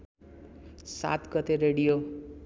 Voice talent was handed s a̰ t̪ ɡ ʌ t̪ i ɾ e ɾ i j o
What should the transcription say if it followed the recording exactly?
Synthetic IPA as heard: s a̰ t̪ ɡ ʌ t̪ e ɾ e ɽ i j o